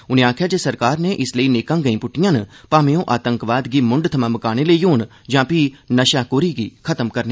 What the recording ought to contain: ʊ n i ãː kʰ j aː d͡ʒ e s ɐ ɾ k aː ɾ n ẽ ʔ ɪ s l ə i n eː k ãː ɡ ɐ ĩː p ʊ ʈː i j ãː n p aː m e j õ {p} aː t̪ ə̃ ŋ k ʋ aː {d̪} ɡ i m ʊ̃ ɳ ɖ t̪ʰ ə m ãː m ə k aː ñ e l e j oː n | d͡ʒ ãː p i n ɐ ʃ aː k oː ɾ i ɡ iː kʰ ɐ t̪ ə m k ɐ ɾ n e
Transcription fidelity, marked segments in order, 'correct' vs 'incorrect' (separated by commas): incorrect, correct